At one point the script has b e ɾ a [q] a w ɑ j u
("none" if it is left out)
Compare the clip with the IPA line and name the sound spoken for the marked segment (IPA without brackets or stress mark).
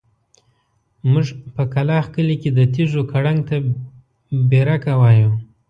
k